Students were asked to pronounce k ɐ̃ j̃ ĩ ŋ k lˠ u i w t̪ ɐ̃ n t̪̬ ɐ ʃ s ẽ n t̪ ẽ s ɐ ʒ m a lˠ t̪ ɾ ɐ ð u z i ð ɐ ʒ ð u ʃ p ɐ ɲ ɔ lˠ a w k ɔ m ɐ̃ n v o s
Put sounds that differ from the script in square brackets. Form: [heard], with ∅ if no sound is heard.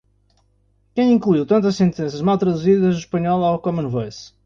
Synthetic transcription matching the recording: k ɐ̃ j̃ ĩ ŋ k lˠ u i w t̪ ɐ̃ n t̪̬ ɐ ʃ s ẽ n t̪ ẽ s ɐ ʒ m a lˠ t̪ ɾ ɐ ð u z i ð ɐ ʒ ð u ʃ p ɐ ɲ ɔ lˠ a w k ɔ m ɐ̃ n v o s

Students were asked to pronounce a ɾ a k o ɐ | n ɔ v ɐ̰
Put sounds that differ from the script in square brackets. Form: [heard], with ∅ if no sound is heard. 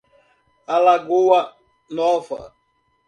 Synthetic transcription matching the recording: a [l] a [ɡ] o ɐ | n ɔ v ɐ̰

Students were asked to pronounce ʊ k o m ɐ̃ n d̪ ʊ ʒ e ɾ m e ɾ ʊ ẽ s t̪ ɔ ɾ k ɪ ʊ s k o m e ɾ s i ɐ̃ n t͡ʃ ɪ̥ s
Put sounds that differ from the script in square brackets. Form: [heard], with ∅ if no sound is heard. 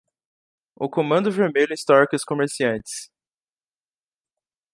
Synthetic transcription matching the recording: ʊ k o m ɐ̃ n d̪ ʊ [v] e ɾ m e [ʎ] ʊ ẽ s t̪ ɔ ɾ k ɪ ʊ s k o m e ɾ s i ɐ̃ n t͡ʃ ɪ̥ s

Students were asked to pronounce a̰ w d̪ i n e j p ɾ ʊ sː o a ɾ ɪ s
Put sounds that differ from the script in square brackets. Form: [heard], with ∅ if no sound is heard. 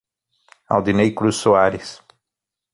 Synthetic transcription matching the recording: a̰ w d̪ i n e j [k] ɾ [u] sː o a ɾ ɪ s

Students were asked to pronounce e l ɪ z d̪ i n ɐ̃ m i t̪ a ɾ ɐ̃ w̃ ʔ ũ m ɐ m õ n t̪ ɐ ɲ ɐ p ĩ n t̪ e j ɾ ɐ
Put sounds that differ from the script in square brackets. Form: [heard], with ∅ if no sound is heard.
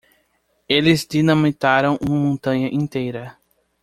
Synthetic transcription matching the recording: e l ɪ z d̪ i n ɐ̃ m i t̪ a ɾ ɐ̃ w̃ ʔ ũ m ɐ m õ n t̪ [ɐ̃] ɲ ɐ [ʔ] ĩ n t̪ e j ɾ ɐ

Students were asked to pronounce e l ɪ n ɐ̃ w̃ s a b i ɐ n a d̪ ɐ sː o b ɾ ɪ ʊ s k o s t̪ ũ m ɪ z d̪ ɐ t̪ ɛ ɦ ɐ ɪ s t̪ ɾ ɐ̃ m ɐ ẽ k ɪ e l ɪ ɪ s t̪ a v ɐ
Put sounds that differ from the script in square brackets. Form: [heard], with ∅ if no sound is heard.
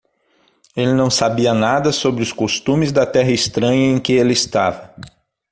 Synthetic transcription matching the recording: e l ɪ n ɐ̃ w̃ s a b i ɐ n a d̪ ɐ [s] o b ɾ ɪ ʊ s k o s t̪ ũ m ɪ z d̪ ɐ t̪ ɛ ɦ ɐ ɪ s t̪ ɾ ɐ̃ [ɲ] ɐ ẽ k ɪ e l ɪ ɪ s t̪ a v ɐ

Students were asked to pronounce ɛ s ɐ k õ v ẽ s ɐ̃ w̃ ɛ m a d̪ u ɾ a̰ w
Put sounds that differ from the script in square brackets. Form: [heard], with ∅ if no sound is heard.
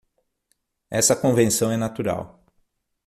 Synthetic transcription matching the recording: ɛ s ɐ k õ v ẽ s ɐ̃ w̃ ɛ [n] a [t̪] u ɾ a̰ w

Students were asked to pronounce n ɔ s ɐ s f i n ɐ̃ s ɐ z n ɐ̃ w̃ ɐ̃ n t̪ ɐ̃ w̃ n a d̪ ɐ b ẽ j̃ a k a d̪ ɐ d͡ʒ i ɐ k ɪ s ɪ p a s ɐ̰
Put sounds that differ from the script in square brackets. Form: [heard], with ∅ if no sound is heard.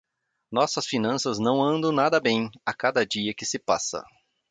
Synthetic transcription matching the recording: n ɔ s ɐ s f i n ɐ̃ s ɐ z n ɐ̃ w̃ ɐ̃ n [d̪] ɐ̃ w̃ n a d̪ ɐ b ẽ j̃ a k a d̪ ɐ d͡ʒ i ɐ k ɪ s ɪ p a s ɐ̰

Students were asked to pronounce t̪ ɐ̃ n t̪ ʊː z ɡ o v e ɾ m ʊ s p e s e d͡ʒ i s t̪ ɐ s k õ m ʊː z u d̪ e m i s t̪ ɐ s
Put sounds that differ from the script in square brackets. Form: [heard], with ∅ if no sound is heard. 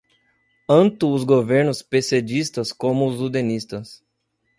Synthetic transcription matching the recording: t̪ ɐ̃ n t̪ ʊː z ɡ o v e ɾ [n] ʊ s p e s e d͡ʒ i s t̪ ɐ s k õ m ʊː z u d̪ e [n] i s t̪ ɐ s

